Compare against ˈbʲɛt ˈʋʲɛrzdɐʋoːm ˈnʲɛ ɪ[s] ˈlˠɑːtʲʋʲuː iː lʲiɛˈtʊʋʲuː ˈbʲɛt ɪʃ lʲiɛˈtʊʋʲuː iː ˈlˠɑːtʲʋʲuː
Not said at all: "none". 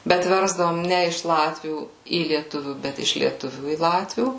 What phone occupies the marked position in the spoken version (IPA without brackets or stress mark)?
ʃ